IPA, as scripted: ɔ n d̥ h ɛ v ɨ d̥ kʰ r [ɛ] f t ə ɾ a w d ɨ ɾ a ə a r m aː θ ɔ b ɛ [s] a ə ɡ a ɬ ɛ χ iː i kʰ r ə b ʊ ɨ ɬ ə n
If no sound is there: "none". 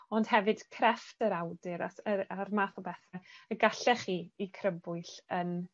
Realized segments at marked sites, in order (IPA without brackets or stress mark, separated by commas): ɛ, θ